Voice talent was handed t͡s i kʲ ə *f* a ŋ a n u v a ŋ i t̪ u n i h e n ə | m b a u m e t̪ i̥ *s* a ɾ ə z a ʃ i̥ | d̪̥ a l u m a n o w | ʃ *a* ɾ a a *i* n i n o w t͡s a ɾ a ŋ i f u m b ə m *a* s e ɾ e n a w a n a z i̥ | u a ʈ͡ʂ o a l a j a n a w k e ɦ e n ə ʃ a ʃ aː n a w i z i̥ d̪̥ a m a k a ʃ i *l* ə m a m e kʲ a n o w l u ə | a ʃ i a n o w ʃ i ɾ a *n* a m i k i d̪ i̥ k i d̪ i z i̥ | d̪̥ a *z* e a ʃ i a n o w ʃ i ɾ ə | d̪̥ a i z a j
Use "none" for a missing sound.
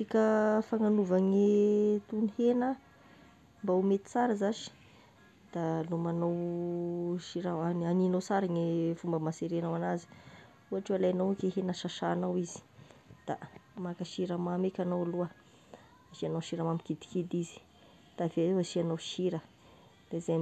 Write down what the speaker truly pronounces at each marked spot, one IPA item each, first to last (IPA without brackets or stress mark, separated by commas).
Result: f, t͡s, i, a, a, ɾ, m, v